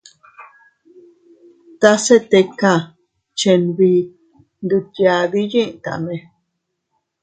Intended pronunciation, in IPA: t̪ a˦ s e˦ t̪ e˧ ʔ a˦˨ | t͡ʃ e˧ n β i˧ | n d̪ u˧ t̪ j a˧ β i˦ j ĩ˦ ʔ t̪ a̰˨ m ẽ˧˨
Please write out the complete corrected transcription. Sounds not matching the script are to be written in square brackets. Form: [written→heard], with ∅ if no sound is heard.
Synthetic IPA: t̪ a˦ s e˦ t̪ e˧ [ʔ→k] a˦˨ | t͡ʃ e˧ n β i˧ | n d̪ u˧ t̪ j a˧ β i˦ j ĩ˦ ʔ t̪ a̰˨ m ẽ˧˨